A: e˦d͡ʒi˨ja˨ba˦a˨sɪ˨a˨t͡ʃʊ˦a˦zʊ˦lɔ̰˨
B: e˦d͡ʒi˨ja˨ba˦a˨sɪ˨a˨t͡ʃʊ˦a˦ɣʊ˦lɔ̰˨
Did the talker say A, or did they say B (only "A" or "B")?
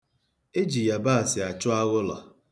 B